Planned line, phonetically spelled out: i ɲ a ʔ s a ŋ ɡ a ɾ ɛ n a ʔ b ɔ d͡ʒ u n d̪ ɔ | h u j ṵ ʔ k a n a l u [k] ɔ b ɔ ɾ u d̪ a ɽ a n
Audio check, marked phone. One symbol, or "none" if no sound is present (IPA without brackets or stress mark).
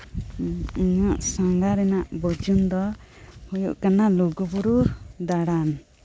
ɡ